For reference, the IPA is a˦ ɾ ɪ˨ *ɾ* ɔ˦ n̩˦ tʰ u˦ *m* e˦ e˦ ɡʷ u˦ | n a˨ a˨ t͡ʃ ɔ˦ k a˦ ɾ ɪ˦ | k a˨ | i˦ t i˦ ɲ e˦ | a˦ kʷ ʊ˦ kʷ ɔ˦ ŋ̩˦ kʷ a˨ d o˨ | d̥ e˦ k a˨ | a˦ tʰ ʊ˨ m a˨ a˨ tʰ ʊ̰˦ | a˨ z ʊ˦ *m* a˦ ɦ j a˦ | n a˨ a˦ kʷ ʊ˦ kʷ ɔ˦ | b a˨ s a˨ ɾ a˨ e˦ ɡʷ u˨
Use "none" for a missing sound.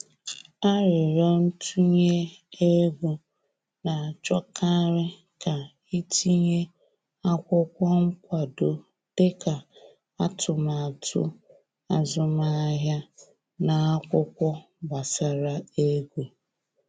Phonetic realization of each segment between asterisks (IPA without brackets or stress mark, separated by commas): ɾ, ɲ, m